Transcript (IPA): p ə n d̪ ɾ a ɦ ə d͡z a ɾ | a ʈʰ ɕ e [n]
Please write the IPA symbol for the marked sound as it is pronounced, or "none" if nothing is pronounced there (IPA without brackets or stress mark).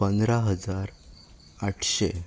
none